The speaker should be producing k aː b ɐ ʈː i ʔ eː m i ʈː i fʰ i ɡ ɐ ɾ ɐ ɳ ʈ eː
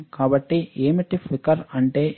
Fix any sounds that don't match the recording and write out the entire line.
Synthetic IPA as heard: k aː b ɐ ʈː i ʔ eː m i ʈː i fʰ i k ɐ ɾ ɐ ɳ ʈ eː